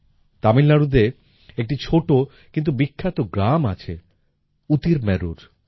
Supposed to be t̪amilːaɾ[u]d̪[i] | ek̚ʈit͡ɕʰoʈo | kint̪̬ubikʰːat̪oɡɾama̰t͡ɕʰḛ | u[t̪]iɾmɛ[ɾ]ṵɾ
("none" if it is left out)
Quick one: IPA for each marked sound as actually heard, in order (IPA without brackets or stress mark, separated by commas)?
u, e, t̪, ɾ